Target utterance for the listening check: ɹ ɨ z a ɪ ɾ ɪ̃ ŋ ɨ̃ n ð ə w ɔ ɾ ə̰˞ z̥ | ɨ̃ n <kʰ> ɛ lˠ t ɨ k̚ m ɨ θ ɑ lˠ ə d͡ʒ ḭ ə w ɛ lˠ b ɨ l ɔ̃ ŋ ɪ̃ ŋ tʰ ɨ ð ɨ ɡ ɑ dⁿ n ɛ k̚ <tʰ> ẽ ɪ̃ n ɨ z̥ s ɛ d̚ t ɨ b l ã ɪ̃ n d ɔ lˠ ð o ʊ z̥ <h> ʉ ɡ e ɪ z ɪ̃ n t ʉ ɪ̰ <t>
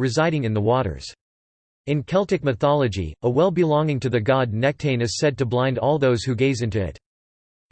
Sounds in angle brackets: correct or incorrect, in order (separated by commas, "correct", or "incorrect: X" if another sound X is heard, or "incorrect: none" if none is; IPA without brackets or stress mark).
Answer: correct, correct, correct, correct